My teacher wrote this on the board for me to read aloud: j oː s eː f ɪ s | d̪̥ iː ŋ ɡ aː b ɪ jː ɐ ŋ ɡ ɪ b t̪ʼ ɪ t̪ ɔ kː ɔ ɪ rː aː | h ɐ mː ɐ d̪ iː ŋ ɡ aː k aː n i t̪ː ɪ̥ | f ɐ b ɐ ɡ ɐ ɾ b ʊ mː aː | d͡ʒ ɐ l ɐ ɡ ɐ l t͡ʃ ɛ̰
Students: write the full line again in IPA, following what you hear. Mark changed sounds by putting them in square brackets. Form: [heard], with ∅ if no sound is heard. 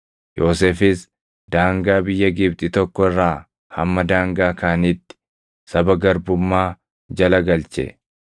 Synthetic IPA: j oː s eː f ɪ s | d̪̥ [aː] ŋ ɡ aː b ɪ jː ɐ [∅] ɡ ɪ b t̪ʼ ɪ t̪ ɔ kː ɔ ɪ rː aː | h ɐ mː ɐ d̪ [aː] ŋ ɡ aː k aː n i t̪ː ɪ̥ | [s] ɐ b ɐ ɡ ɐ ɾ b ʊ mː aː | d͡ʒ ɐ l ɐ ɡ ɐ l t͡ʃ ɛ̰